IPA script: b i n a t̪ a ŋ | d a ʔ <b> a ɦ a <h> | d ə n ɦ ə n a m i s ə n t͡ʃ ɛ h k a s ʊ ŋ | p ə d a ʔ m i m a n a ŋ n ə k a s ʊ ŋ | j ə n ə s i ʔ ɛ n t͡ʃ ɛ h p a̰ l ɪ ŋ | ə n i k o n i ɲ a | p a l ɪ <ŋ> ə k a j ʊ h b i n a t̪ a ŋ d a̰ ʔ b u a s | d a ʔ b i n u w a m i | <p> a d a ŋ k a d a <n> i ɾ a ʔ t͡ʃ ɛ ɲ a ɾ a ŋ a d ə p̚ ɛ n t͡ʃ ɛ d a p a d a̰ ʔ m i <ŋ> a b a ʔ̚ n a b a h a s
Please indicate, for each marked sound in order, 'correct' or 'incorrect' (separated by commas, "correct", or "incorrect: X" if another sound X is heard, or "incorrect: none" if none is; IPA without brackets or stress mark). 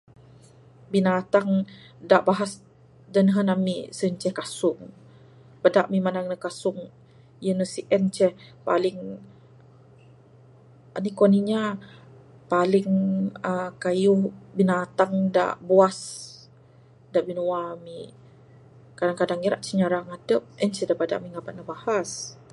correct, incorrect: s, correct, incorrect: k, incorrect: ŋ, correct